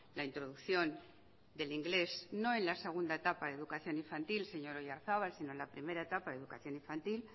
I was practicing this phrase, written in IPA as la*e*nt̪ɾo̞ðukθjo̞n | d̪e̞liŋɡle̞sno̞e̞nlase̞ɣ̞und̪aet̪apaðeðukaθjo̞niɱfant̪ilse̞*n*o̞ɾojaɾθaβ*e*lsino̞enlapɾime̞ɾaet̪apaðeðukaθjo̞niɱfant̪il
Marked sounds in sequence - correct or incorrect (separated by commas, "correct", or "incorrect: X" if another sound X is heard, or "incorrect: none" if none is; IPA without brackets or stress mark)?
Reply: incorrect: i, incorrect: ɲ, incorrect: a